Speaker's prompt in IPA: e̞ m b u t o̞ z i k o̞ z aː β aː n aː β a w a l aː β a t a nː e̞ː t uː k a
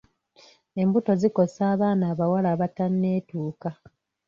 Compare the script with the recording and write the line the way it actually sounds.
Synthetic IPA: e̞ m b u t o̞ z i k o̞ s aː β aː n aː β a w a l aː β a t a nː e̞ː t uː k a